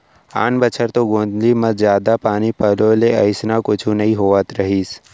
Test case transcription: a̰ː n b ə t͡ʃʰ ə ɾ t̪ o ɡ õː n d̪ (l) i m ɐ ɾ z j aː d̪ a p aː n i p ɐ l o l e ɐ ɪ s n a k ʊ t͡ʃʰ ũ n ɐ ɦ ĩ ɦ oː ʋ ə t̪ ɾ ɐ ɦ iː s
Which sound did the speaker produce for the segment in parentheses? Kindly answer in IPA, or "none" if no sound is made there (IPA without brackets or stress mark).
l